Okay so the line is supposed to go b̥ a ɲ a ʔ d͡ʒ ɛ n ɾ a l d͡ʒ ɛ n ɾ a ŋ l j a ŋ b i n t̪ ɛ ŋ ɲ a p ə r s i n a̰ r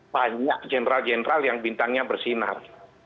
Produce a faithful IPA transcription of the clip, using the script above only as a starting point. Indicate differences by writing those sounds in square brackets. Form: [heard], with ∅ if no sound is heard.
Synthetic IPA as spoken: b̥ a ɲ a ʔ d͡ʒ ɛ n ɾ a l d͡ʒ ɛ n ɾ a [∅] l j a ŋ b i n t̪ [a] ŋ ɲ a [b] ə r s i n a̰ r